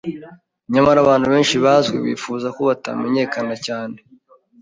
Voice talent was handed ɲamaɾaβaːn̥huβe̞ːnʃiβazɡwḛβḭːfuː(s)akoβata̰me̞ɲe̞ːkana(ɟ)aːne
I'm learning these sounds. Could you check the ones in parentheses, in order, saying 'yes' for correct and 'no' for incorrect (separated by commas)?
no, no